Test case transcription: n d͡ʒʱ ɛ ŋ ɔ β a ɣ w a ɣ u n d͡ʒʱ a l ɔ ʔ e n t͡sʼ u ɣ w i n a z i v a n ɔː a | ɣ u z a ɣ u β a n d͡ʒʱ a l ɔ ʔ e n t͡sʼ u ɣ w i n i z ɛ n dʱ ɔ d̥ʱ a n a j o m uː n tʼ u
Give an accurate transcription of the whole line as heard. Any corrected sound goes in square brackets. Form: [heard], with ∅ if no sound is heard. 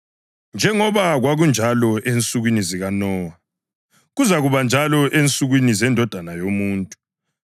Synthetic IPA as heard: n d͡ʒʱ ɛ ŋ ɔ β a ɣ w a ɣ u n d͡ʒʱ a l ɔ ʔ e n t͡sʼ u ɣ w i n [i] z i [ɣ] a n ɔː a | ɣ u z a ɣ u β a n d͡ʒʱ a l ɔ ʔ e n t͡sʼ u ɣ w i n i z ɛ n dʱ ɔ d̥ʱ a n a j o m uː n tʼ u